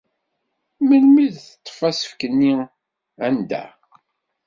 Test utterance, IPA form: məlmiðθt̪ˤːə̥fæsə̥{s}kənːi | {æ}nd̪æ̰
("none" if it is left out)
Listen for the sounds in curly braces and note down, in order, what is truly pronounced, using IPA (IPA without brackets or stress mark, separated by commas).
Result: f, æ